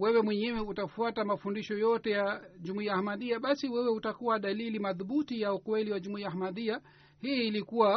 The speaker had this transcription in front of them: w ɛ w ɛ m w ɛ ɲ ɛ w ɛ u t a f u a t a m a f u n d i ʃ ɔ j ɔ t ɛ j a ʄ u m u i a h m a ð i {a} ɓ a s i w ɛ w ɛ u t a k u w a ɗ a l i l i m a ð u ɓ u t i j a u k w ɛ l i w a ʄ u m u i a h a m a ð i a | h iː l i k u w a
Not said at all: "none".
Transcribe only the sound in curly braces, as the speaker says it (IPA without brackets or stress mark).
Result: a